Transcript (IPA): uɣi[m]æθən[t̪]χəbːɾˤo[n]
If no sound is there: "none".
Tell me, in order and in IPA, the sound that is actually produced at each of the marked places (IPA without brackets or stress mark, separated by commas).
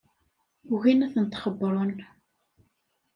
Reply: n, t̪, n